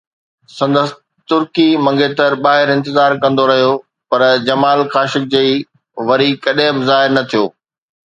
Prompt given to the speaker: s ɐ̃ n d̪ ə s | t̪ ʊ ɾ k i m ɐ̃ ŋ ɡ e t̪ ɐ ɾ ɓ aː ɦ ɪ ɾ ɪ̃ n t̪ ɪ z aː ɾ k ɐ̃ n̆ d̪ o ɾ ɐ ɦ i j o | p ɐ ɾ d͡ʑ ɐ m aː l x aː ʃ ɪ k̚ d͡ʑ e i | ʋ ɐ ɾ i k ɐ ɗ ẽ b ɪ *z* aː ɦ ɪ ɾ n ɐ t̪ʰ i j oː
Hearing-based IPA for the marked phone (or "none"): z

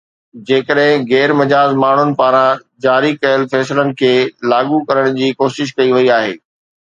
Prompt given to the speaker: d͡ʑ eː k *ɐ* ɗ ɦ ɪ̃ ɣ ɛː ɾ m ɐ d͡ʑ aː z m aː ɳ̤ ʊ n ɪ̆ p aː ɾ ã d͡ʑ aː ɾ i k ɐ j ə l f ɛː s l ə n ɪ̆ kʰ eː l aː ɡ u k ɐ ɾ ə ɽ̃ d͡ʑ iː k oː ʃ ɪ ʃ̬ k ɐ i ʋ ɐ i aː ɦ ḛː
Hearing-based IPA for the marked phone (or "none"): ə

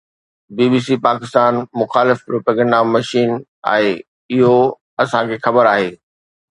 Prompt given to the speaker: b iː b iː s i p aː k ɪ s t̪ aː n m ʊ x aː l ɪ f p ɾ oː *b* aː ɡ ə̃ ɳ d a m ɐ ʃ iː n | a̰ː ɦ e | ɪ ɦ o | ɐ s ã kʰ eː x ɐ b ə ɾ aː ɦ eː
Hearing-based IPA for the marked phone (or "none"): p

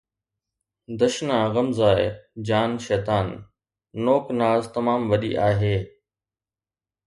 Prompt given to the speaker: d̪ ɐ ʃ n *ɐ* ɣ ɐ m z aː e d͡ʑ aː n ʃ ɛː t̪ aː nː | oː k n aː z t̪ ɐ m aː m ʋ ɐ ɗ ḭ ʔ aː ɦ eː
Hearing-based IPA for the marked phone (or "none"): a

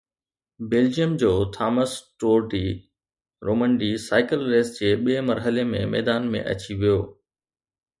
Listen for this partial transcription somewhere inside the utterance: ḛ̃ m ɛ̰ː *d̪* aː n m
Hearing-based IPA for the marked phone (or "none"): d̪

